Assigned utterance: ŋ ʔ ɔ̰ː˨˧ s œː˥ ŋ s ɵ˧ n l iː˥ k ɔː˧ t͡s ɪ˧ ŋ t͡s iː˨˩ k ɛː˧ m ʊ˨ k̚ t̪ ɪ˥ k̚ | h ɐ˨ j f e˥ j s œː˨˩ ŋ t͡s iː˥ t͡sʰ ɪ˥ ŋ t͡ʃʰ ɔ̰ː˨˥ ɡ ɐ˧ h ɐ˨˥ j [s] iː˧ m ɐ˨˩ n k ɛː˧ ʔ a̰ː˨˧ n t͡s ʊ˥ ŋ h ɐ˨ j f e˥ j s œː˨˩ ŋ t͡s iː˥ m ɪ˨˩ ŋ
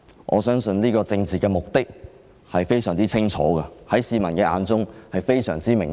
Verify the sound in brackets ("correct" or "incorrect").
correct